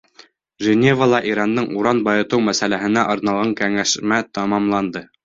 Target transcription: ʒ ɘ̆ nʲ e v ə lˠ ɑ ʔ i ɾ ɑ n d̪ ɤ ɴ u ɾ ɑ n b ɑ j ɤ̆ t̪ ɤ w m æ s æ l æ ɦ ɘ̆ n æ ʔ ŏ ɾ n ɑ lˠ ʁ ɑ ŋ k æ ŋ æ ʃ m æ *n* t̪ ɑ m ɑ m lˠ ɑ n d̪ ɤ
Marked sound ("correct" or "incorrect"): incorrect